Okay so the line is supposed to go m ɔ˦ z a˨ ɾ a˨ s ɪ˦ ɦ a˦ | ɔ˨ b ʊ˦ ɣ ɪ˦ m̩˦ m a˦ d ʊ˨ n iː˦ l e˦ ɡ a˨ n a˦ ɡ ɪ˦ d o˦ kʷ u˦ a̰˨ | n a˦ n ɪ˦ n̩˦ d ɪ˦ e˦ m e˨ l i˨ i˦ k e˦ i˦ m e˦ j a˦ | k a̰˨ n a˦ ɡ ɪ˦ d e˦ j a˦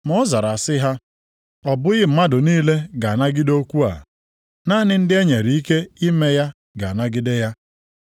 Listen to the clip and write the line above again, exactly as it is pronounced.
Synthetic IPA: m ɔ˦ z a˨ ɾ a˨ s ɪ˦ ɦ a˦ | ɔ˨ b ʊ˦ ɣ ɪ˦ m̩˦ m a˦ d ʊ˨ n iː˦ l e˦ ɡ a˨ n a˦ ɡ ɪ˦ d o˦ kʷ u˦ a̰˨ | n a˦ n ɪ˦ n̩˦ d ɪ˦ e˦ ɲ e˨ ɾ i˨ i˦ k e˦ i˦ m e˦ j a˦ | ɡ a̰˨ n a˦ ɡ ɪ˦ d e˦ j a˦